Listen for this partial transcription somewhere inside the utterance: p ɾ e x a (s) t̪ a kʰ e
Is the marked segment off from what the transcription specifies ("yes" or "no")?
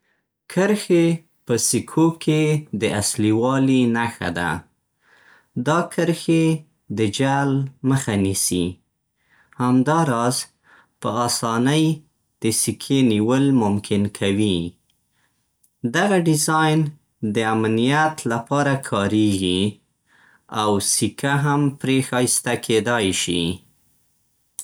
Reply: no